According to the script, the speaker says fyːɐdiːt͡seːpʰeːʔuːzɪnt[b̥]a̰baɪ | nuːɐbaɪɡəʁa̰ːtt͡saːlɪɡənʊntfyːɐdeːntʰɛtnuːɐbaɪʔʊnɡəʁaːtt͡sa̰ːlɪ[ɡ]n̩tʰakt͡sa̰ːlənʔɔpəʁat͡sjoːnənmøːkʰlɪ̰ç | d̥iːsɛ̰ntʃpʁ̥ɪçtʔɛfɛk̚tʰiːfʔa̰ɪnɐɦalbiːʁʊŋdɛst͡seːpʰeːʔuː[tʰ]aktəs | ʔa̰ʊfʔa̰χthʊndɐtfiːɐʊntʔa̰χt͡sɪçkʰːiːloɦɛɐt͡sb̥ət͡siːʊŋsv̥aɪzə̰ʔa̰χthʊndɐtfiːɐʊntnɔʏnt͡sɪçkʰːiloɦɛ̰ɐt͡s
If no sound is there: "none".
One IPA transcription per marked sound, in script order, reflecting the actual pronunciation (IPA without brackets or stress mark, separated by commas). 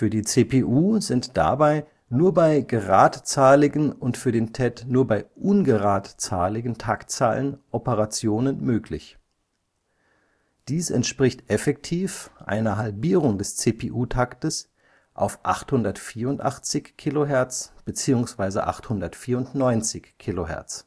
d̥, ɡ, tʰ